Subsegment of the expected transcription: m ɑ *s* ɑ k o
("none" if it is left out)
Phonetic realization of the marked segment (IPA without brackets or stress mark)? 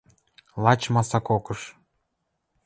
s